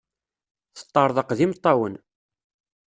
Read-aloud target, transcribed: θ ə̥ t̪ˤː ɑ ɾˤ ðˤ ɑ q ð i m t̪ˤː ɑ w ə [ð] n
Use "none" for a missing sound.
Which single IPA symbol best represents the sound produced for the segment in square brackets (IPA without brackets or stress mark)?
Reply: none